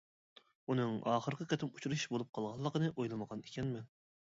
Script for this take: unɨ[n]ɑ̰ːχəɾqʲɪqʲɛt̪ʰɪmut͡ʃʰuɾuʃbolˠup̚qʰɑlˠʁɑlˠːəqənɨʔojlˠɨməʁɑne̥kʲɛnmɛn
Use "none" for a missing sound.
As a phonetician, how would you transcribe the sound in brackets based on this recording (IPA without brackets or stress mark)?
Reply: ŋ